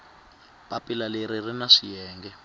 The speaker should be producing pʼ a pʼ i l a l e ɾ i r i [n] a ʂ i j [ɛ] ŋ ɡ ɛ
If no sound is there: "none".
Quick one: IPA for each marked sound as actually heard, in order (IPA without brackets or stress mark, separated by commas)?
n, ɛː